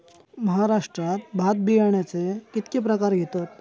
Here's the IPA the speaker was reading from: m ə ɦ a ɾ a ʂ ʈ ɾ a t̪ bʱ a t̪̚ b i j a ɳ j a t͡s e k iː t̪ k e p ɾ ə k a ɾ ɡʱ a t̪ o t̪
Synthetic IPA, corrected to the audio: m ə ɦ a ɾ a ʂ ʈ ɾ a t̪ bʱ a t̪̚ b i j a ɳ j a t͡s e k i t̪ k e p ɾ ə k a ɾ ɡʱ e t̪ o t̪